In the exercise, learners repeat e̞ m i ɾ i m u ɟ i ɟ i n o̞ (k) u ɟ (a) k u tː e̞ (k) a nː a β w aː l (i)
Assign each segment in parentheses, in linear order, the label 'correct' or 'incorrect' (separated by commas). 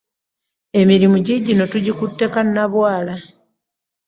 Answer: incorrect, incorrect, correct, incorrect